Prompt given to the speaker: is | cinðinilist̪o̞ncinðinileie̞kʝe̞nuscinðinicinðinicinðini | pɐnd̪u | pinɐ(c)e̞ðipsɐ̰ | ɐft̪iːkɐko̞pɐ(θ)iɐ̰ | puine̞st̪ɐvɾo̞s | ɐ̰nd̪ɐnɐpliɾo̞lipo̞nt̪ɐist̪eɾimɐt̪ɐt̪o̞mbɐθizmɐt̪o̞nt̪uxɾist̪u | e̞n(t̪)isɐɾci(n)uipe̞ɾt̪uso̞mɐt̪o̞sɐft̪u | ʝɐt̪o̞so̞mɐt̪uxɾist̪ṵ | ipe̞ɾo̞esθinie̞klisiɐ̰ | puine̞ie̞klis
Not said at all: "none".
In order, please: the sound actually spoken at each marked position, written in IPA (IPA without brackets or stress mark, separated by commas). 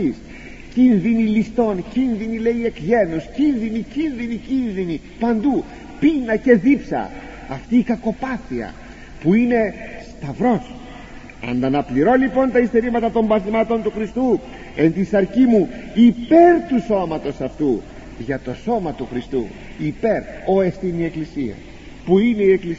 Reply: c, θ, t̪, m